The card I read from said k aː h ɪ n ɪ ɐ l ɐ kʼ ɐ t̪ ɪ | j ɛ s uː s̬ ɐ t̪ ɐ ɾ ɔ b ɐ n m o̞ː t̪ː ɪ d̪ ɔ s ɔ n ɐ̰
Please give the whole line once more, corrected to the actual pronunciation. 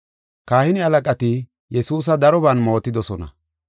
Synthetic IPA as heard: k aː h ɪ n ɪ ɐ l ɐ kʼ ɐ t̪ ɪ | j ɛ s uː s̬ ɐ d̪ ɐ ɾ ɔ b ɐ n m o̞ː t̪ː ɪ d̪ ɔ s ɔ n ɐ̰